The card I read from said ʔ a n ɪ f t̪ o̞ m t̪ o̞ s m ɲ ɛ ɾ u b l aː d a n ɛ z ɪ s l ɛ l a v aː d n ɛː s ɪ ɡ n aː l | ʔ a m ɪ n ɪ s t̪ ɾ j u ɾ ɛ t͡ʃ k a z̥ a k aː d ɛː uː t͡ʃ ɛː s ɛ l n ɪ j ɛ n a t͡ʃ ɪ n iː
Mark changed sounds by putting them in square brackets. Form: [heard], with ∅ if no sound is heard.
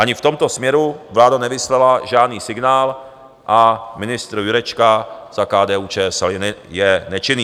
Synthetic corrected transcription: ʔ a [ɲ] ɪ f t̪ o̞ m t̪ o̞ s m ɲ ɛ ɾ u [v] l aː d a n ɛ [v] ɪ s l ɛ l a [ʒ] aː d n [iː] s ɪ ɡ n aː l | ʔ a m ɪ n ɪ s t̪ ɾ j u ɾ ɛ t͡ʃ k a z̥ a k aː d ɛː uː t͡ʃ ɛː s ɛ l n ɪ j ɛ n [ɛ] t͡ʃ ɪ n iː